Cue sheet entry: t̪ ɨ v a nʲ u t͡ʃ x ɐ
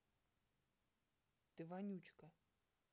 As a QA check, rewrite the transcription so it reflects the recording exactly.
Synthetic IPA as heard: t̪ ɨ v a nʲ u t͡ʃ k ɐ